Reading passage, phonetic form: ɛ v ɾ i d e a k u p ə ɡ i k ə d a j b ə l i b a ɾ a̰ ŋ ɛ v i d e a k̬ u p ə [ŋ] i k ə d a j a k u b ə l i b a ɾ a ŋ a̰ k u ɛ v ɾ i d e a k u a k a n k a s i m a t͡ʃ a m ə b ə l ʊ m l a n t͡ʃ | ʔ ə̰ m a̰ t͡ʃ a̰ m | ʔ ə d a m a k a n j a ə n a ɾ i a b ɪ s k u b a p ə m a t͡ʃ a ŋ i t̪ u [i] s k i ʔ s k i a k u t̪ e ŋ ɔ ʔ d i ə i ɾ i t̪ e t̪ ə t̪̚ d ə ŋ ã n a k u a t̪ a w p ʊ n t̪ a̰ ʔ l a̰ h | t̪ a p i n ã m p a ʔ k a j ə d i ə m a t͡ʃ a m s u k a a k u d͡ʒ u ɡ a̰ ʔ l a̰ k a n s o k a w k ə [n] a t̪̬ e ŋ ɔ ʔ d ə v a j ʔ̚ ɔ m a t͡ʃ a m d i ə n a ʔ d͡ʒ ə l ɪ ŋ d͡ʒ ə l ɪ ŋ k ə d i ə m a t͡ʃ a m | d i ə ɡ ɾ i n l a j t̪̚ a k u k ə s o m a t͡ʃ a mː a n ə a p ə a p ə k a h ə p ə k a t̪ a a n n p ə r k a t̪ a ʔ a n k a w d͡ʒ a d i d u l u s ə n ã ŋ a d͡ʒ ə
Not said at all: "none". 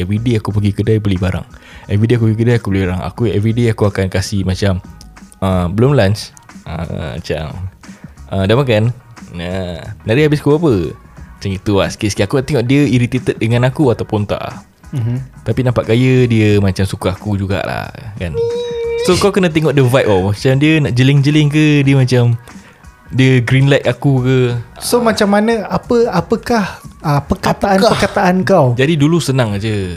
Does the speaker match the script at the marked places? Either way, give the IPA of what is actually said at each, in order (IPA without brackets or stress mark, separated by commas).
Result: ɡ, a, n